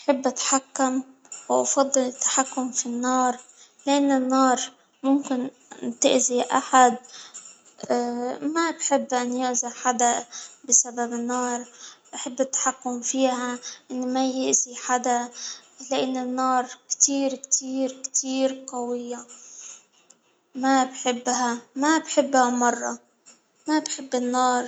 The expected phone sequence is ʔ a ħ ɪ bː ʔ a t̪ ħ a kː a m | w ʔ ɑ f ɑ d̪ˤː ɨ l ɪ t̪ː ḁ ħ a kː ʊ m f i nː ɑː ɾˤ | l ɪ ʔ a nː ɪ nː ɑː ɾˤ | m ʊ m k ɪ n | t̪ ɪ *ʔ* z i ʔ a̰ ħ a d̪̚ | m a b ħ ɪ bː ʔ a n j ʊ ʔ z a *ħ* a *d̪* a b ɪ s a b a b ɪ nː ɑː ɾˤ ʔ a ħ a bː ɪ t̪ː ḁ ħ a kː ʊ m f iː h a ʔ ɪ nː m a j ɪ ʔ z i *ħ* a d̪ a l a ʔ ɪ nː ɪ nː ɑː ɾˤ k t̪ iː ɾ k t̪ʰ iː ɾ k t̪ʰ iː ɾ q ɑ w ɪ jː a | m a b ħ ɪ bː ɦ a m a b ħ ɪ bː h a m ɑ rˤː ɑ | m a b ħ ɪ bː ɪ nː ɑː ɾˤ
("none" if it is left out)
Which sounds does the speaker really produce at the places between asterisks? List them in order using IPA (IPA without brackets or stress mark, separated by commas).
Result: ʔ, ħ, d̪, ħ